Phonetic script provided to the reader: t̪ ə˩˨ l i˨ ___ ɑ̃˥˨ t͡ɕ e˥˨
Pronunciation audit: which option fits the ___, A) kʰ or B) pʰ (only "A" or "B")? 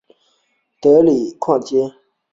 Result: A